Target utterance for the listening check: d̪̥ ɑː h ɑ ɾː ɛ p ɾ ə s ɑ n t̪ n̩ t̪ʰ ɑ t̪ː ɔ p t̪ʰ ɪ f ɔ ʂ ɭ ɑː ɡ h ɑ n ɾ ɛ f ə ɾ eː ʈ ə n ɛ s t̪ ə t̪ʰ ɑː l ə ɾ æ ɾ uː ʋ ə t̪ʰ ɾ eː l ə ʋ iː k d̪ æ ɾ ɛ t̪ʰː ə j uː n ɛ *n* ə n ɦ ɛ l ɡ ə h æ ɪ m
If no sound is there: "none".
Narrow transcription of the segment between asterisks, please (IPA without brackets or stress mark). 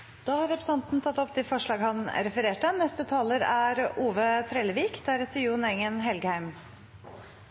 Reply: ŋ